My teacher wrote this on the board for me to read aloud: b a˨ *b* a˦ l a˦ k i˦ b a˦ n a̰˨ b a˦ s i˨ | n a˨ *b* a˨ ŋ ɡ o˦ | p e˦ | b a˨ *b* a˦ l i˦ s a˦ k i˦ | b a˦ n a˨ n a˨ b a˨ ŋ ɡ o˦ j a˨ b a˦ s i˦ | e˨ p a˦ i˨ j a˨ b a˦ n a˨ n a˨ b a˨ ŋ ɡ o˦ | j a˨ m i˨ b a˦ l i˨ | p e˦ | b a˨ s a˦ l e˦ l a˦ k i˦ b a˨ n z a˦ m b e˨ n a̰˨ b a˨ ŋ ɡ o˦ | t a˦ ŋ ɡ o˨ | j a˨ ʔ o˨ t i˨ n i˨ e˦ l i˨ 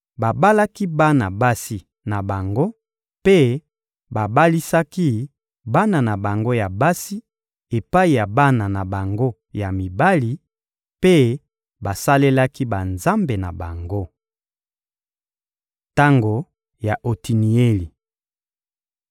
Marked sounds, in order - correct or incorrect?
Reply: correct, correct, correct

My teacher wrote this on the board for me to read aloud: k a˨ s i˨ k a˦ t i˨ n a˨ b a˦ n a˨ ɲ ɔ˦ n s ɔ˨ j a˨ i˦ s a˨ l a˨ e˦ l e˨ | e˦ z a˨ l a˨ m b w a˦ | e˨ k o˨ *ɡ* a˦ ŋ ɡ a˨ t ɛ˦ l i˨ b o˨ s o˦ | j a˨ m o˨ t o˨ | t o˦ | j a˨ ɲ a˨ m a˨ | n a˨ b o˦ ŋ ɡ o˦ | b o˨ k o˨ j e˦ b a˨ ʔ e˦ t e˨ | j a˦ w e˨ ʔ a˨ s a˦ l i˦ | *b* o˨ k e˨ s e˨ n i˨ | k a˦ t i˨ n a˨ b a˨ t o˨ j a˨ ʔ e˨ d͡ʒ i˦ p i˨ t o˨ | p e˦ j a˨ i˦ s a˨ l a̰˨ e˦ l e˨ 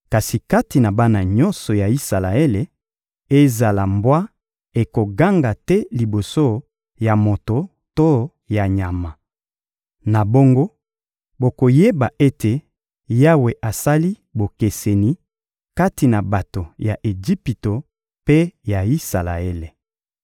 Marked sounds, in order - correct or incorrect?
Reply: correct, correct

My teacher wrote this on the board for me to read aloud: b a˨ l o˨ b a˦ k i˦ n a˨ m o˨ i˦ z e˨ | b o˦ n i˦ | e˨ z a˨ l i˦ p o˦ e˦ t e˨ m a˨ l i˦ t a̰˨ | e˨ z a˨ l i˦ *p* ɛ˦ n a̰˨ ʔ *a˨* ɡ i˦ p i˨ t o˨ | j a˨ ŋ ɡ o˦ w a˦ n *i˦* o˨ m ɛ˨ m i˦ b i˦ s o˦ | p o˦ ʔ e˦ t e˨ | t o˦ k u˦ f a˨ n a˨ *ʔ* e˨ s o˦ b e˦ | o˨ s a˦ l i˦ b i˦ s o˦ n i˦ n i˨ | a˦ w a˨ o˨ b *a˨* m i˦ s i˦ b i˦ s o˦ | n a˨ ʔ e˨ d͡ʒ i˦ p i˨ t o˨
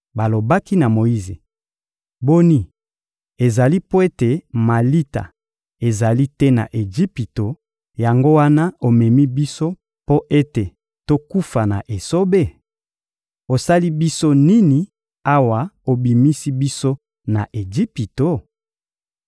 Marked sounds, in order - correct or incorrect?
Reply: incorrect, incorrect, incorrect, correct, incorrect

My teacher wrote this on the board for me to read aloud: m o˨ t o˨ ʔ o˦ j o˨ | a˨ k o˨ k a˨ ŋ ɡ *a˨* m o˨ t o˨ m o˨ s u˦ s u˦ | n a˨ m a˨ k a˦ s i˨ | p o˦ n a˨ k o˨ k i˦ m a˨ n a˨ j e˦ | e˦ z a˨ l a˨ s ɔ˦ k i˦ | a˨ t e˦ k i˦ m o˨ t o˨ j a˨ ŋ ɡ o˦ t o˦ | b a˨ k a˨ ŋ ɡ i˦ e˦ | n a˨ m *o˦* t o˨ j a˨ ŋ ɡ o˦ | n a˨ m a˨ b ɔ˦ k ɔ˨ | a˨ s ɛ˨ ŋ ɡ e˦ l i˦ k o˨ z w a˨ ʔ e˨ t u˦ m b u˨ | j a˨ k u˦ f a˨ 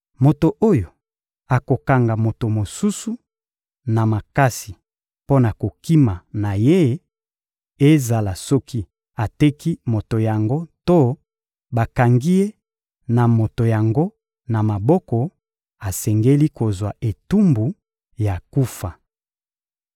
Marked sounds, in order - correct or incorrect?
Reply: correct, incorrect

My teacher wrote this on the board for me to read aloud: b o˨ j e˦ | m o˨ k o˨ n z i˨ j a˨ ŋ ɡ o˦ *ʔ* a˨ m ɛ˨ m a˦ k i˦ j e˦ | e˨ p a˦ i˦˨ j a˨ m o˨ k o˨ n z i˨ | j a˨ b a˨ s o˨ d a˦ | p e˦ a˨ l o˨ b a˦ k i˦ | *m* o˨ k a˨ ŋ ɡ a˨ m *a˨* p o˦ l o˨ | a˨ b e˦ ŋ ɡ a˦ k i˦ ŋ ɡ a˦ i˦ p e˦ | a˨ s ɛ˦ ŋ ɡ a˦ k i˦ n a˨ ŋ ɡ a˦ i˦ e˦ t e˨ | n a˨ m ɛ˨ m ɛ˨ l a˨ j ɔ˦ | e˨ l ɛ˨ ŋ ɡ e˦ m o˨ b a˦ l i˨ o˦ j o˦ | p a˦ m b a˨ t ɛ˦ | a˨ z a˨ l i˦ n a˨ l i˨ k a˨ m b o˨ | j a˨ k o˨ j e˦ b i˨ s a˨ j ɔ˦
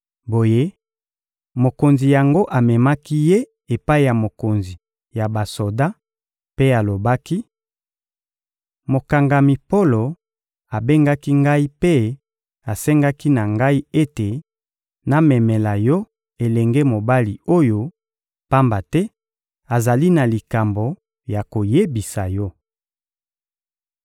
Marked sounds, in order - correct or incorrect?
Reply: correct, correct, incorrect

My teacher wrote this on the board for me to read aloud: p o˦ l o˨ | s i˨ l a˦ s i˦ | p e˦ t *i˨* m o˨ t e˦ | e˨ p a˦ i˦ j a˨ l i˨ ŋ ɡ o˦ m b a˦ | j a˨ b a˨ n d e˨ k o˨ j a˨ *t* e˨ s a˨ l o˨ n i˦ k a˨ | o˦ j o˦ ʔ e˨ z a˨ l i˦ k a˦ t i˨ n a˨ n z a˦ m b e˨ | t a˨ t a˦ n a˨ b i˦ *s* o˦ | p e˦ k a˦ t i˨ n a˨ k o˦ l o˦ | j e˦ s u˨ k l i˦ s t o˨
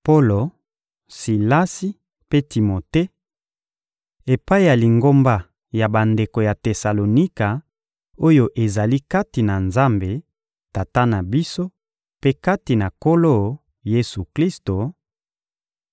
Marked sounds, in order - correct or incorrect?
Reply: correct, correct, correct

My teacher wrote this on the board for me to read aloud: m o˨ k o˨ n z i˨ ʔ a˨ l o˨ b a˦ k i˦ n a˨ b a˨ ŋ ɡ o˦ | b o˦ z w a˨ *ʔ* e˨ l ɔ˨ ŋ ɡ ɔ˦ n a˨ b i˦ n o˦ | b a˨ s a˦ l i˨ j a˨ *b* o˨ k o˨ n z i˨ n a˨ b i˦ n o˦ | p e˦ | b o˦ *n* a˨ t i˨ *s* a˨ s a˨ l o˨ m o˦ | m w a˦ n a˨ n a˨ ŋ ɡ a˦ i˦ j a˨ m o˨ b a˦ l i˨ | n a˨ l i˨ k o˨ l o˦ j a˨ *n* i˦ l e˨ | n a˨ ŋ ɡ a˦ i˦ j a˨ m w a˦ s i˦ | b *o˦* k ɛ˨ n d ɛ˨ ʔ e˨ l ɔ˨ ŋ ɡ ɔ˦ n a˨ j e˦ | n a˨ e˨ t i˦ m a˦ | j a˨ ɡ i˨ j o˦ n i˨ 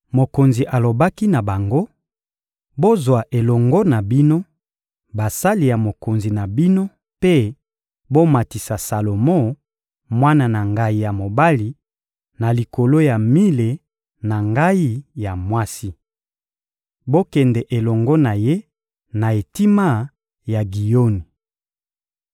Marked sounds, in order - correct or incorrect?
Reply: correct, incorrect, incorrect, correct, incorrect, correct

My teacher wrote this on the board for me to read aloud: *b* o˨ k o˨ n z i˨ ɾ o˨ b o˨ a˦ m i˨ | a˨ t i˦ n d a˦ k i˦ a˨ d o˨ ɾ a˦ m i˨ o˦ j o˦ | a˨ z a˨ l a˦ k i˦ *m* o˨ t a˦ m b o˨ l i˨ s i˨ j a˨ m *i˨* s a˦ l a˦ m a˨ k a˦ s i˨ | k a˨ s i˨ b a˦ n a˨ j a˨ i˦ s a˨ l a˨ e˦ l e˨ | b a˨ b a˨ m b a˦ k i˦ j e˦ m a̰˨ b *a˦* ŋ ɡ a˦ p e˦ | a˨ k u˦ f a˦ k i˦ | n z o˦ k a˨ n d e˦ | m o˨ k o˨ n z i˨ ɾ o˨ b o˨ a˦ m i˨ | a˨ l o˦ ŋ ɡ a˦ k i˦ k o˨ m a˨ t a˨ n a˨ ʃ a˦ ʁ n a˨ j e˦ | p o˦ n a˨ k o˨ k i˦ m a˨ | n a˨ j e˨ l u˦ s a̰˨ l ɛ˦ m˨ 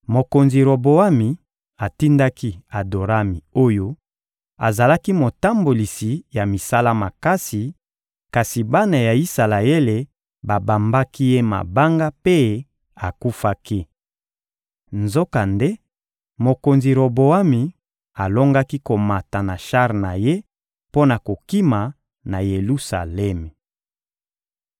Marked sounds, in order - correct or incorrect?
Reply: incorrect, correct, correct, correct

